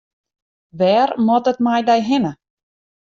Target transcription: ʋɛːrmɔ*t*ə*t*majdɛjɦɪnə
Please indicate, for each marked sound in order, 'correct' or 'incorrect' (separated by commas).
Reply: correct, correct